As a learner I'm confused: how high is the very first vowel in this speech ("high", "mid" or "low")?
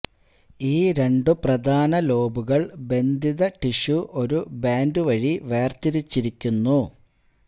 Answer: high